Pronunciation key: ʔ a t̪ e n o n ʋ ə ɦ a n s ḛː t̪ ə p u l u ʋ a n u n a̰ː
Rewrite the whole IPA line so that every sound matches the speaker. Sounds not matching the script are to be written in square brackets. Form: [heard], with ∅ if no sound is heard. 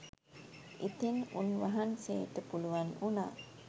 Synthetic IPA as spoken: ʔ [i] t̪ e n [u] n ʋ [a] ɦ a n s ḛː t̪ ə p u l u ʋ a n u n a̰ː